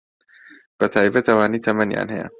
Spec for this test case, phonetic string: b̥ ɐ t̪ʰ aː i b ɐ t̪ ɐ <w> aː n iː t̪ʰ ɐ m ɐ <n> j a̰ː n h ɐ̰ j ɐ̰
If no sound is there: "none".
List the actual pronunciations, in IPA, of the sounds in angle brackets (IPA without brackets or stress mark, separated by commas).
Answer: w, n